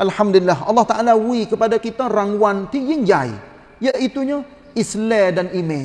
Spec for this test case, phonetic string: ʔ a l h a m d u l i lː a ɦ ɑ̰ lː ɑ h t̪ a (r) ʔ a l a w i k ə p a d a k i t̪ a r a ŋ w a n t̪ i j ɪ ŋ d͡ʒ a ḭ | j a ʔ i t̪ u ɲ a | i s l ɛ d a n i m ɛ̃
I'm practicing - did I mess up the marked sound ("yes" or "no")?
yes